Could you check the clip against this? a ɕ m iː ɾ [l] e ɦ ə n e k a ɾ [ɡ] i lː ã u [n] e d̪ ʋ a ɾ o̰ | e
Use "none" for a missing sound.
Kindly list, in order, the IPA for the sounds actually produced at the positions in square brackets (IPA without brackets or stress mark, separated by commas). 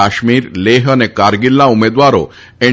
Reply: l, ɡ, m